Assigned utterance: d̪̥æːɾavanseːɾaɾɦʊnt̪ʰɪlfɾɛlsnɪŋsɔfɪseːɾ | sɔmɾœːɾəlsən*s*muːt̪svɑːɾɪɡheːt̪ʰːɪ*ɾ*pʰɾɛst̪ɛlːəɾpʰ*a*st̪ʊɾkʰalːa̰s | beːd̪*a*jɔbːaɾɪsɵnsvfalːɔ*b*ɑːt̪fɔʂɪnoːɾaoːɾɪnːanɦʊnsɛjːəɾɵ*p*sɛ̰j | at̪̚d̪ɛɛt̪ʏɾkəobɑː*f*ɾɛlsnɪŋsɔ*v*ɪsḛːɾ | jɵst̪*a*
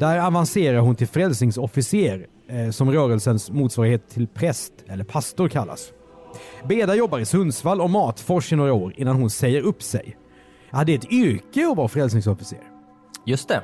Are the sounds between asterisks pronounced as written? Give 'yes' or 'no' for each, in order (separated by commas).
yes, no, yes, yes, no, yes, yes, no, no